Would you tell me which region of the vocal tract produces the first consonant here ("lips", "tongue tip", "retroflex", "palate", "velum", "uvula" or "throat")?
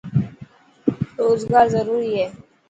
tongue tip